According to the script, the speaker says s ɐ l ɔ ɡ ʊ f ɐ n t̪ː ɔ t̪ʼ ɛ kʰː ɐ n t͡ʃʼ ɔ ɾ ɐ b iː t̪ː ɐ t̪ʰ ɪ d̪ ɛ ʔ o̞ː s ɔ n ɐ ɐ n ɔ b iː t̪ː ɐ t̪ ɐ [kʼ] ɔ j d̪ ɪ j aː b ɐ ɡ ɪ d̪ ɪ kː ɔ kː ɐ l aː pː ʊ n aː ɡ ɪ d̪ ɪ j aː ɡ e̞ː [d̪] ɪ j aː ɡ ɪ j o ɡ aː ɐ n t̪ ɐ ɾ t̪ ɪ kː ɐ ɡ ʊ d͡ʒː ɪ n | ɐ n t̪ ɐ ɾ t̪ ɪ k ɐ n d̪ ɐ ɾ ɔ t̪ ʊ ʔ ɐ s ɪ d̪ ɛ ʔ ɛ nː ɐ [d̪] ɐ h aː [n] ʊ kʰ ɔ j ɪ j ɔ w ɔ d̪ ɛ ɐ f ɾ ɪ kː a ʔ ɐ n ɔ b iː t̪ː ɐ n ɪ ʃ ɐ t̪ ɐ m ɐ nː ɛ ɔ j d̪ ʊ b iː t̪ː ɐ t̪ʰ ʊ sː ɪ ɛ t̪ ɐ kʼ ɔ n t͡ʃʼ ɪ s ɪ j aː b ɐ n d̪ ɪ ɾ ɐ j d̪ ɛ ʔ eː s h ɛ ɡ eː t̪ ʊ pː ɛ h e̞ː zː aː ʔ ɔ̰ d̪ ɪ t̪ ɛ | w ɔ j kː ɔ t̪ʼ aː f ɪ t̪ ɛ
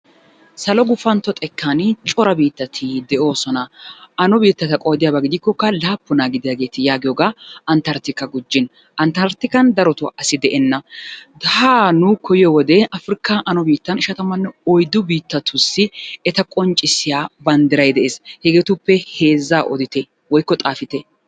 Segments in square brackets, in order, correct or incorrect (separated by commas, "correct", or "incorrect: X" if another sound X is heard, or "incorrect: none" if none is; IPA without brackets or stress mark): correct, incorrect: t̪, correct, correct